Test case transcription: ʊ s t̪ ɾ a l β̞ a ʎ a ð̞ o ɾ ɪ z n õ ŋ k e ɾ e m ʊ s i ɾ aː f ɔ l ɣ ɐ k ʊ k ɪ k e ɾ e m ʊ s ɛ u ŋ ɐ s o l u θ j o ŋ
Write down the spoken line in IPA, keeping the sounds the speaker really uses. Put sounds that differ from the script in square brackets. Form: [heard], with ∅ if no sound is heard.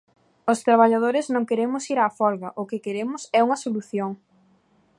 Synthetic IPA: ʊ s t̪ ɾ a [∅] β̞ a ʎ a ð̞ o ɾ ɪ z n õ ŋ k e ɾ e m ʊ s i ɾ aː f ɔ l ɣ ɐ [ʔ] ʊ k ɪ k e ɾ e m ʊ s ɛ u ŋ ɐ s o l u θ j o ŋ